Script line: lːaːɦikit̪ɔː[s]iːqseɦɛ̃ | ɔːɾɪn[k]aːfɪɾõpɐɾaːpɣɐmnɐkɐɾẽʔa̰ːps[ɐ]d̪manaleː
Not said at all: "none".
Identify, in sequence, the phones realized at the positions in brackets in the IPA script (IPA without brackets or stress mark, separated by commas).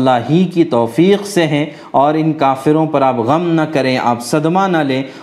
f, k, ɐ